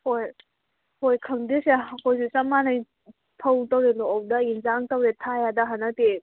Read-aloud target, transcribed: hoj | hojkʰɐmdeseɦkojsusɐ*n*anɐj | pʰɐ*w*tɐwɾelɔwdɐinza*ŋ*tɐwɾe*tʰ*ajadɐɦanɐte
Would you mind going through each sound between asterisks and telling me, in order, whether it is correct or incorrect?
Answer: incorrect: m, correct, correct, correct

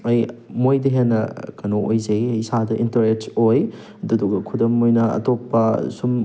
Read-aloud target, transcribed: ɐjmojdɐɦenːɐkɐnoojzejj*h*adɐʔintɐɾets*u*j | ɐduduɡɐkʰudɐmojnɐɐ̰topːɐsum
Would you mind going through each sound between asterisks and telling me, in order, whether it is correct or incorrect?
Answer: incorrect: s, incorrect: o

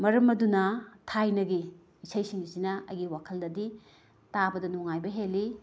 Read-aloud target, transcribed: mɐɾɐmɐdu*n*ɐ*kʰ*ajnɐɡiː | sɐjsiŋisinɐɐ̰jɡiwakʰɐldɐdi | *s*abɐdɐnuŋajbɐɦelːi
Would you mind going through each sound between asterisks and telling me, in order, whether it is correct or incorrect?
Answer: correct, incorrect: tʰ, incorrect: t

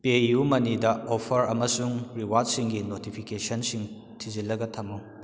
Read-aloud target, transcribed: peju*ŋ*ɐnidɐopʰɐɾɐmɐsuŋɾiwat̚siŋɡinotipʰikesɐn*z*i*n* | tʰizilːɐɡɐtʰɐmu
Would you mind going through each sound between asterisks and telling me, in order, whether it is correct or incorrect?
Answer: incorrect: m, incorrect: s, incorrect: ŋ

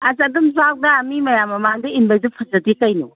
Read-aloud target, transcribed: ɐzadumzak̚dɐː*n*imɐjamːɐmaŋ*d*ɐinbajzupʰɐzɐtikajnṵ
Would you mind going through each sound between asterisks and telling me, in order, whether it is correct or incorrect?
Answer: incorrect: m, correct

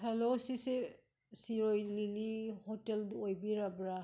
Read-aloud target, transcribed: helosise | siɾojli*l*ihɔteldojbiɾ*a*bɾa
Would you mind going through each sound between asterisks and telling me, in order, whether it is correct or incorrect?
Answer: correct, correct

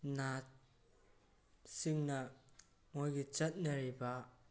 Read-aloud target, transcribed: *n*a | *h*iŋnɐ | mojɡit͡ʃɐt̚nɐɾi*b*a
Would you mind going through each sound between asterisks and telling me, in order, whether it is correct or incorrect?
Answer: correct, incorrect: s, correct

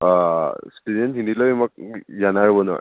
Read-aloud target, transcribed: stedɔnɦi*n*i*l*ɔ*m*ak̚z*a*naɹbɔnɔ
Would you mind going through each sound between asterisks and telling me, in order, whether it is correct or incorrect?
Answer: correct, correct, correct, correct

